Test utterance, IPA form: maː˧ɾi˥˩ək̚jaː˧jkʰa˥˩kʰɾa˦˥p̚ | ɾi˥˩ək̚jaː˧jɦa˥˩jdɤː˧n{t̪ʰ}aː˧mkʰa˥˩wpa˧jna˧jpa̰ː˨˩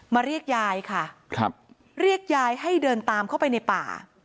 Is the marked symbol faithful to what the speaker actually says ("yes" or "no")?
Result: no